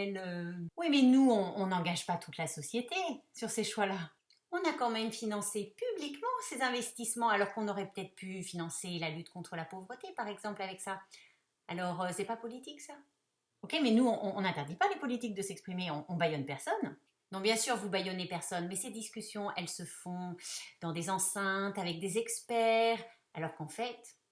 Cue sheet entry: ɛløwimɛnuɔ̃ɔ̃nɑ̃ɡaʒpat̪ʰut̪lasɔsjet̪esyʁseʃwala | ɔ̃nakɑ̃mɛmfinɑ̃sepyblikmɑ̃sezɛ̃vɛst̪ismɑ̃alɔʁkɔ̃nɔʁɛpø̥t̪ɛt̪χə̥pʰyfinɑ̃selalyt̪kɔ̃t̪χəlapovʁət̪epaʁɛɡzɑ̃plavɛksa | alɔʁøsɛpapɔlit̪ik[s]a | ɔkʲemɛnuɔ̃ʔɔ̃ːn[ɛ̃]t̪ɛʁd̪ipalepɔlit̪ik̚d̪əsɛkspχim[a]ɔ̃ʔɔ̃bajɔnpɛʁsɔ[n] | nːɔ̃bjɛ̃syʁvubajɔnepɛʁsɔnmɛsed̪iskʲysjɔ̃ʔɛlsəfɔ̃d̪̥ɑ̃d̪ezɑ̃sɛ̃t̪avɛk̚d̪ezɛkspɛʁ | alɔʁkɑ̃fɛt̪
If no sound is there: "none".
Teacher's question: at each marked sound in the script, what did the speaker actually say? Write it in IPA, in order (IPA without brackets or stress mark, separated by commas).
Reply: s, ɛ̃, e, n